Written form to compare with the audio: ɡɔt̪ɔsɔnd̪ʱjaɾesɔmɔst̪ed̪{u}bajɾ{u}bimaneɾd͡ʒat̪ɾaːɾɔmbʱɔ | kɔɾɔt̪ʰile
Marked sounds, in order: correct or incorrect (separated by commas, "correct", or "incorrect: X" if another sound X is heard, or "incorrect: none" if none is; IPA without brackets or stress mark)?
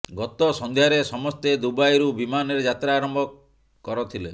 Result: correct, correct